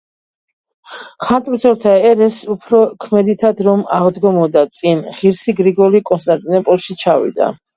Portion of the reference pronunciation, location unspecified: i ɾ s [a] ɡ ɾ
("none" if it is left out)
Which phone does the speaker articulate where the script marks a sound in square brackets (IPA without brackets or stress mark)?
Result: i